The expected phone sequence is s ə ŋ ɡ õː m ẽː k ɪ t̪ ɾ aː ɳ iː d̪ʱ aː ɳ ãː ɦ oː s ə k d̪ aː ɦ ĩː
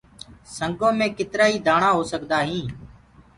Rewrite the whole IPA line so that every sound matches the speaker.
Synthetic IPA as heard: s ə ŋ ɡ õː m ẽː k ɪ t̪ ɾ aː iː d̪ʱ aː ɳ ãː ɦ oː s ə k d̪ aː ɦ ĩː